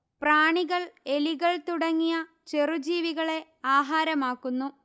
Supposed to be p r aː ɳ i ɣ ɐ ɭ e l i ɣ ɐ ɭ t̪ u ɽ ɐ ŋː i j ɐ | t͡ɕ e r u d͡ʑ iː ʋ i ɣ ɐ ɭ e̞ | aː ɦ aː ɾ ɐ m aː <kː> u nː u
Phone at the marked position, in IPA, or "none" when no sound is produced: kː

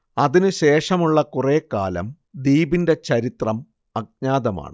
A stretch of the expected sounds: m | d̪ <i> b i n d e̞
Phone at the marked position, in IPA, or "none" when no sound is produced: iː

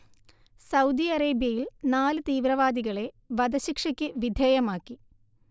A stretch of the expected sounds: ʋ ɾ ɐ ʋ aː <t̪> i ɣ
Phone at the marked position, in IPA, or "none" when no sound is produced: d̪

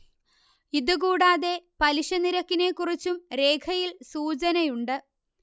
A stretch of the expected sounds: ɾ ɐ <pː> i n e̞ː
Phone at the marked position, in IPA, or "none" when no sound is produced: kː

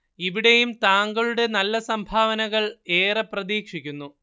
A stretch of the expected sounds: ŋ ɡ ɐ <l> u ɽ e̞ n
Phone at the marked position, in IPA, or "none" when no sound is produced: ɭ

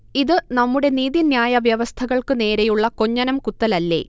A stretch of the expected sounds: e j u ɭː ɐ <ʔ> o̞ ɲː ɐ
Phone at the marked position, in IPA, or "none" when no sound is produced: k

